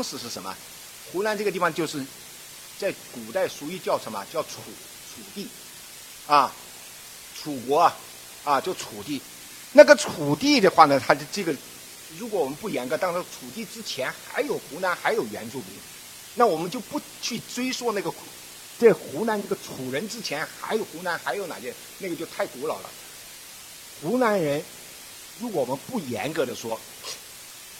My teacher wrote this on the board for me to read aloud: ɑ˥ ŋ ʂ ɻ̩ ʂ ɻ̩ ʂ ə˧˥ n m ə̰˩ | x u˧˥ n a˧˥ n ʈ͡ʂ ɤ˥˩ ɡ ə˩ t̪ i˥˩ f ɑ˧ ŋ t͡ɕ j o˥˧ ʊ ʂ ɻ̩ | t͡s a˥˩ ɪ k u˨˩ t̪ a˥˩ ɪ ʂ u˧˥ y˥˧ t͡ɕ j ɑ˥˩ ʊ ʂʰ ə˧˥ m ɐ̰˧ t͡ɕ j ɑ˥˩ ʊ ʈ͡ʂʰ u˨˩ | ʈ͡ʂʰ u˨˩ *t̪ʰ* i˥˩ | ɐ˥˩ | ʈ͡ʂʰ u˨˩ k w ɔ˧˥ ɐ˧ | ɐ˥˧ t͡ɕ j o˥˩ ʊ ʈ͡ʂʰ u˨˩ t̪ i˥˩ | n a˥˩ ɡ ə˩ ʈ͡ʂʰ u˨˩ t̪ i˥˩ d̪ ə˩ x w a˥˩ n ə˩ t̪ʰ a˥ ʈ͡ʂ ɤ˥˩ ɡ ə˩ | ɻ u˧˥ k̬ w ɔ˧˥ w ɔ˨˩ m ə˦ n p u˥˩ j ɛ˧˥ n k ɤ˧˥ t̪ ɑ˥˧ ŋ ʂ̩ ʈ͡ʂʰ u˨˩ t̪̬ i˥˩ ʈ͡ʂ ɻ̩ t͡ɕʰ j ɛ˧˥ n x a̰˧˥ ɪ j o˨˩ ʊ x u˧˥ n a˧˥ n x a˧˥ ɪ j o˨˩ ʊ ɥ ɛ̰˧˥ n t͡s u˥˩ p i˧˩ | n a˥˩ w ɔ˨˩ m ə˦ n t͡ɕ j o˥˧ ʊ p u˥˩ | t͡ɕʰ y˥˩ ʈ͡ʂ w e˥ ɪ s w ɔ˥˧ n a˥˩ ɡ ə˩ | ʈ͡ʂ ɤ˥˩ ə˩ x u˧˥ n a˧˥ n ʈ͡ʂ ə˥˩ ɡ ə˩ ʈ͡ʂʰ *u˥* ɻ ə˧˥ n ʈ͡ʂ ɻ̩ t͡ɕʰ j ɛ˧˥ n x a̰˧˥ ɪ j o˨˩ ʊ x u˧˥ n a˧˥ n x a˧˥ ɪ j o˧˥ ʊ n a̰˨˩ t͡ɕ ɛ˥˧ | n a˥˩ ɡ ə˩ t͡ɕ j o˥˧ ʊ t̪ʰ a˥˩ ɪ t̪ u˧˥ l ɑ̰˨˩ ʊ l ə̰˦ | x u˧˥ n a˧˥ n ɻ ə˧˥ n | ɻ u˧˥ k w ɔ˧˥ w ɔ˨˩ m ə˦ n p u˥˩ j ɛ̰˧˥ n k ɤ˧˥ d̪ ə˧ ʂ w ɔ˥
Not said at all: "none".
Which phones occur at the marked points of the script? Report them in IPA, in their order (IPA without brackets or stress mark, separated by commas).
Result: t̪, u˨˩